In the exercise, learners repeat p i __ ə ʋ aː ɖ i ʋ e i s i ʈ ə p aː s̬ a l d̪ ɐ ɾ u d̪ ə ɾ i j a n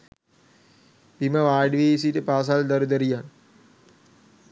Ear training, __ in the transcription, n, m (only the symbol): m